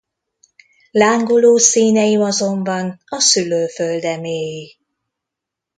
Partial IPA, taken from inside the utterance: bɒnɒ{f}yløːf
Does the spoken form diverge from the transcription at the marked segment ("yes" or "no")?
yes